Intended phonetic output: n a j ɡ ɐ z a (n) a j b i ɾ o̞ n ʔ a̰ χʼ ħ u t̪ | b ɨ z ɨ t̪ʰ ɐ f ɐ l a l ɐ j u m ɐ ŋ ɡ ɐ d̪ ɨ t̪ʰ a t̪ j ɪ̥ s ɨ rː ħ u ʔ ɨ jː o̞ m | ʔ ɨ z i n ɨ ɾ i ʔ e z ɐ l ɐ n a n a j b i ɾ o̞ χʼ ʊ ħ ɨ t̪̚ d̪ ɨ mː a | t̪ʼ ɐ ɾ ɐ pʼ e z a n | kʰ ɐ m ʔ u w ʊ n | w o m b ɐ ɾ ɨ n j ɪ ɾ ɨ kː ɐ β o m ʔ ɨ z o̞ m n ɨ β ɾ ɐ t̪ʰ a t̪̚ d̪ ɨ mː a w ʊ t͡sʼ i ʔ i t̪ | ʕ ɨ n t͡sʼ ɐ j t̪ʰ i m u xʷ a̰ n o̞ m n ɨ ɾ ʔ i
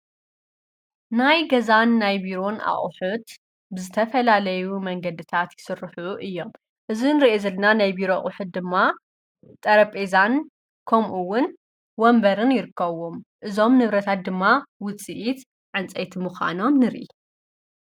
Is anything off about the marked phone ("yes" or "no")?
yes